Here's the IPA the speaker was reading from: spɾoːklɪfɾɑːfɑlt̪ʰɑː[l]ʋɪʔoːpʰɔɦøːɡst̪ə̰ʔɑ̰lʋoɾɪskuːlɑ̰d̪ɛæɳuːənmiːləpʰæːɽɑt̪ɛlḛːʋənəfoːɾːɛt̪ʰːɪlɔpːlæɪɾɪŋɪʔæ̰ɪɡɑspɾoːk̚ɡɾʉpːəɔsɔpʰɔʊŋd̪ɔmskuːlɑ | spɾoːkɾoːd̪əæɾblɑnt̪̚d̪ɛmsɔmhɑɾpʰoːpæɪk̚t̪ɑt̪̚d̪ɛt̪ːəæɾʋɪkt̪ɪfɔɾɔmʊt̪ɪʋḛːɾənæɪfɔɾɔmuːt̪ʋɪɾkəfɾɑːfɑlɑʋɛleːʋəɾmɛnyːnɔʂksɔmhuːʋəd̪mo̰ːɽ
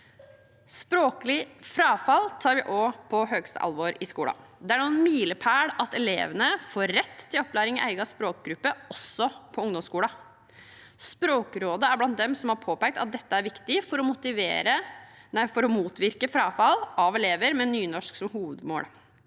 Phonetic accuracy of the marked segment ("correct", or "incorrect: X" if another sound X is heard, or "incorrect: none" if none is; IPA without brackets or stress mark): incorrect: ɾ